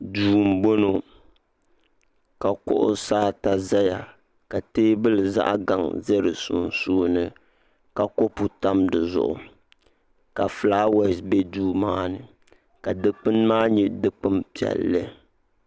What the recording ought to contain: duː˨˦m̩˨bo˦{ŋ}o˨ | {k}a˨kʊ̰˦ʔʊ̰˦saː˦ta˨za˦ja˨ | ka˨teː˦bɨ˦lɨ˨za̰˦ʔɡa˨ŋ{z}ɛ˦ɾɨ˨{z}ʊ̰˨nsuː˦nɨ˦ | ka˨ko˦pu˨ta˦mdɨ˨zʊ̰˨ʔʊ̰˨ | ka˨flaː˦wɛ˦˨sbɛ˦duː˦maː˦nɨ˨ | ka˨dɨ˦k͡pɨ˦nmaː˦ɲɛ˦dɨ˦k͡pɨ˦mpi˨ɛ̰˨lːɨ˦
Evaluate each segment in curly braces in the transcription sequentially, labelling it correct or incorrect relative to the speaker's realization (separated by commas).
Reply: incorrect, correct, correct, incorrect